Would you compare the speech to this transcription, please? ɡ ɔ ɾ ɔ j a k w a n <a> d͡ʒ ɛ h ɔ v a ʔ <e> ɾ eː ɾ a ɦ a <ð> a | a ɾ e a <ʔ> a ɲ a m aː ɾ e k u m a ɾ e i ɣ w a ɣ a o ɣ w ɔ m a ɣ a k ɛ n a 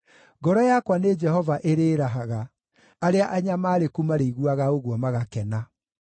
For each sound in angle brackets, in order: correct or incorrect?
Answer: incorrect, correct, incorrect, correct

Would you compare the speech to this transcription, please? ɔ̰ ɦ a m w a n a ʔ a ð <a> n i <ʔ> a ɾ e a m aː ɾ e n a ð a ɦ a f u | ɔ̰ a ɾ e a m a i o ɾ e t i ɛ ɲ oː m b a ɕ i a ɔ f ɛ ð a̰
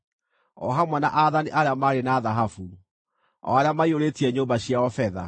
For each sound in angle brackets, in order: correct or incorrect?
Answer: correct, correct

